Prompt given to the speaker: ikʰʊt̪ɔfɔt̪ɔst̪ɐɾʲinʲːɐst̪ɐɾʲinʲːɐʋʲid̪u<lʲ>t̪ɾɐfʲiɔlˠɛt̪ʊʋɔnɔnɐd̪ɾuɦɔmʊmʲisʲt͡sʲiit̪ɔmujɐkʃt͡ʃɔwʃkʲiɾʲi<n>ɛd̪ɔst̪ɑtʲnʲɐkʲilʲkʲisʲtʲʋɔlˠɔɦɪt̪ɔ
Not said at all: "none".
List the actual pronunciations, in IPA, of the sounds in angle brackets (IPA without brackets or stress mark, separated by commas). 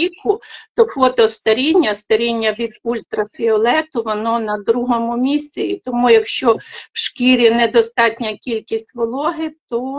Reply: lʲ, n